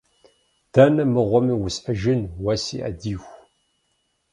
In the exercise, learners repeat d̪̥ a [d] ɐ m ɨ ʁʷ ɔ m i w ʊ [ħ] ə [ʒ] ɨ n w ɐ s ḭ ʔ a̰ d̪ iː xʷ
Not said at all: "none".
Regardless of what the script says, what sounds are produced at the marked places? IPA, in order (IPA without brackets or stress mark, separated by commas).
n, s, ʒ